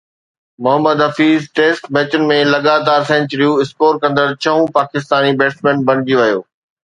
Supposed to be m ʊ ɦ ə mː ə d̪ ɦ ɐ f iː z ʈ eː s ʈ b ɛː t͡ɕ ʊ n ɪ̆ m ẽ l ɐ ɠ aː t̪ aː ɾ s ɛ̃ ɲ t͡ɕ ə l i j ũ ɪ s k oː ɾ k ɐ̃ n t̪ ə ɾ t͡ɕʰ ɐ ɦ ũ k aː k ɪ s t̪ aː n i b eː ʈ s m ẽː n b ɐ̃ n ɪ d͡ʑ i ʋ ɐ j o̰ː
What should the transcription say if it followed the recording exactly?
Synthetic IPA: m ʊ ɦ ə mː ə d̪ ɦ ɐ f iː z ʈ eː s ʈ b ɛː t͡ɕ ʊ n ɪ̆ m ẽ l ɐ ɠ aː t̪ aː ɾ s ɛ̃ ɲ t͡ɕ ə ɾ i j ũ ɪ s k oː ɾ k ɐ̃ n d̪ ə ɾ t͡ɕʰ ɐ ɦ ũ p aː k ɪ s t̪ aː n i b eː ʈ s m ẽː n b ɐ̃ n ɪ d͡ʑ i ʋ ɐ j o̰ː